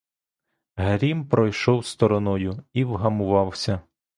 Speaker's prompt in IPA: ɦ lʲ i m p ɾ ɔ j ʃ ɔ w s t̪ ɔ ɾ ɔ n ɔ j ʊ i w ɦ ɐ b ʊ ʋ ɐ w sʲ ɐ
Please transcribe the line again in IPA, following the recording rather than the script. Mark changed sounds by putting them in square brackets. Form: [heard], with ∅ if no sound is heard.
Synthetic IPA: ɦ [ɾʲ] i m p ɾ ɔ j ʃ ɔ w s t̪ ɔ ɾ ɔ n ɔ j ʊ i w ɦ ɐ [m] ʊ ʋ [ɑ] w sʲ ɐ